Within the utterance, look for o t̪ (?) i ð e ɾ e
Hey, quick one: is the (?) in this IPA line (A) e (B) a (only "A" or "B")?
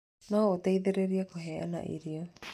A